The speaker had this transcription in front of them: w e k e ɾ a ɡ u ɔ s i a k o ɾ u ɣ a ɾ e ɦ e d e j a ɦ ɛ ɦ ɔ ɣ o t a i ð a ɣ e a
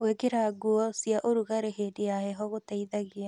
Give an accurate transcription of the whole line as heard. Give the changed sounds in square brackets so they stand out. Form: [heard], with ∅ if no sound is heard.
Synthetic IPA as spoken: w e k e ɾ a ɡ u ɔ s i a [ʔ] o ɾ u ɣ a ɾ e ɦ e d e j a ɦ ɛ ɦ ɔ ɣ o t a i ð a ɣ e a